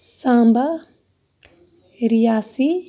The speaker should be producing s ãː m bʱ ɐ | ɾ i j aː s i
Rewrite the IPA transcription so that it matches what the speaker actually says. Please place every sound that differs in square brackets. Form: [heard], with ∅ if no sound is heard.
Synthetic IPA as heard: s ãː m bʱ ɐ | ɾ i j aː s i